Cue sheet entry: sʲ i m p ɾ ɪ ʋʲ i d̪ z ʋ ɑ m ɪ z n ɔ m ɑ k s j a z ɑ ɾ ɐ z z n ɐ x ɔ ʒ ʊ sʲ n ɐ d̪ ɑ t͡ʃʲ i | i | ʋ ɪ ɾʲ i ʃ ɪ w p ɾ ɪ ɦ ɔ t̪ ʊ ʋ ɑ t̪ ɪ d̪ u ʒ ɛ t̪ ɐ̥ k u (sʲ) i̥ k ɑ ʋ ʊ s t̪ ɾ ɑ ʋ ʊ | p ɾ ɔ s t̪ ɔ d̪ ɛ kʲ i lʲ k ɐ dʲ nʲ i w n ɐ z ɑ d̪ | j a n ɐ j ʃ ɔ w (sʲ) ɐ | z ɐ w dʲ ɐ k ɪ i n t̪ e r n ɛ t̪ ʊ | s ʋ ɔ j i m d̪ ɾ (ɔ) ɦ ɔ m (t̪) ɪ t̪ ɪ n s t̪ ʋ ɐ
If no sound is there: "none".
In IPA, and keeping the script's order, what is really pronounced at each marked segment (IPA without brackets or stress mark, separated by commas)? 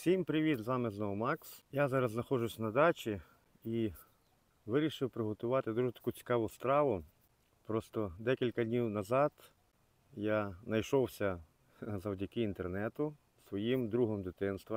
t͡sʲ, sʲ, u, d̪